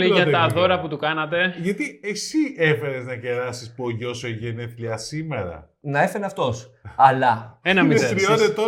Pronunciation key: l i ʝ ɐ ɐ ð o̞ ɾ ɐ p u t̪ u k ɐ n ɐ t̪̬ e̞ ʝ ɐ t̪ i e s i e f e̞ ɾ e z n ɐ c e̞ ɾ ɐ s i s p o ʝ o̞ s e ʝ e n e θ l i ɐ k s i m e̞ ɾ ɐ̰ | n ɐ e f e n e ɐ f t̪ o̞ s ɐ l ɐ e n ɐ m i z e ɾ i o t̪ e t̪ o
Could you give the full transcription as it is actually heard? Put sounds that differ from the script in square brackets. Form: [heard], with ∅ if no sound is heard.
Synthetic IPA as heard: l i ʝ ɐ ɐ ð o̞ ɾ ɐ p u t̪ u k ɐ n ɐ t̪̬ e̞ ʝ ɐ t̪ i e s i e f e̞ ɾ e z n ɐ c e̞ ɾ ɐ s i s p o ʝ o̞ s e ʝ e n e θ l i ɐ [∅] s i m e̞ ɾ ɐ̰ | n ɐ e f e n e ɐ f t̪ o̞ s ɐ l ɐ e n ɐ m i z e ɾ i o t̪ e t̪ o